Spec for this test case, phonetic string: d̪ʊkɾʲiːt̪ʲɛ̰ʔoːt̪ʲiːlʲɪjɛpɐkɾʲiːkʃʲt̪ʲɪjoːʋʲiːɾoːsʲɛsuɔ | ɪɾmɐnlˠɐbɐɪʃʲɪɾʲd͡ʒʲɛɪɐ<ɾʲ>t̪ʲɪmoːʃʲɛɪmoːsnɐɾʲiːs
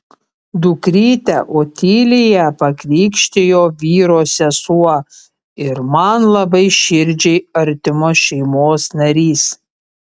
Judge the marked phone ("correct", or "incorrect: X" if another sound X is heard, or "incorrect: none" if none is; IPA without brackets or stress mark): correct